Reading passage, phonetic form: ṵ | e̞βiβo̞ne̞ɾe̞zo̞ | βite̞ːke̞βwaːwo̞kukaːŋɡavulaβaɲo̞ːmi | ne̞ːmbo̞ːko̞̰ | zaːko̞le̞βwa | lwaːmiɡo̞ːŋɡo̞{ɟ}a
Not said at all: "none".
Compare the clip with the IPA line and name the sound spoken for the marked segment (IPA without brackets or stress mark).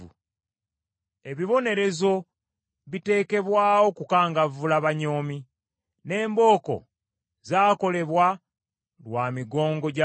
ɟ